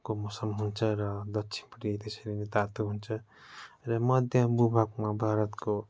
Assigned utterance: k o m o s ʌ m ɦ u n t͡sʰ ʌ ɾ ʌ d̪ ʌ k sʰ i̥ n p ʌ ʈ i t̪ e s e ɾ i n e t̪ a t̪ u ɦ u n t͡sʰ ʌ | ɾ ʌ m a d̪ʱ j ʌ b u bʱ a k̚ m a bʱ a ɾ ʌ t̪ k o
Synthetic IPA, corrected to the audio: k o m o s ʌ m ɦ u n t͡sʰ ʌ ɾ ʌ d̪ ʌ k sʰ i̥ n p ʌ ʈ i t̪ e s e ɾ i n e t̪ a t̪ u ɦ u n t͡sʰ ʌ | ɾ ʌ m ʌ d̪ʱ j ʌ b u bʱ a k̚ m a bʱ a ɾ ʌ t̪ k o

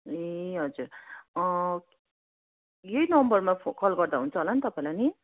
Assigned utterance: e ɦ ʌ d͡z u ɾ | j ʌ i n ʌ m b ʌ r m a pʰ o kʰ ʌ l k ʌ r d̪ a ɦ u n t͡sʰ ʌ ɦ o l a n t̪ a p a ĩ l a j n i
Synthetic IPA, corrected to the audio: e ɦ ʌ d͡z u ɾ | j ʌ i n ʌ m b ʌ r m a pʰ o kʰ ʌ l ɡ ʌ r d̪ a ɦ u n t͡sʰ ʌ ɦ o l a n t̪ ʌ p a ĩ l a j n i

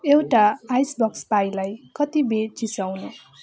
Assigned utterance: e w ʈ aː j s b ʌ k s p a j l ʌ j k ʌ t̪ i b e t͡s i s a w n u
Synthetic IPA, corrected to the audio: e w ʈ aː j s b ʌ k s p a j l a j k ʌ t̪ i b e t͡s i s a w n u

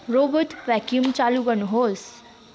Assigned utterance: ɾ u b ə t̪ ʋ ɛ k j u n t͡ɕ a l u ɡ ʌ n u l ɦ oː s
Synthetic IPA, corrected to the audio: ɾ o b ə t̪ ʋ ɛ k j u m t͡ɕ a l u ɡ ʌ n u ɦ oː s

